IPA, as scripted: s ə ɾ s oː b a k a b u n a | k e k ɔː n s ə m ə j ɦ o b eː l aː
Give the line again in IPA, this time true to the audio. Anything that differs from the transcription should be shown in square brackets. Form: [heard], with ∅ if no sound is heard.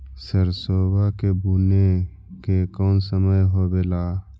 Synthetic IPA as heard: s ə ɾ s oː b a k [e] b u n [e] | k e k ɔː n s ə m ə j ɦ o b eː l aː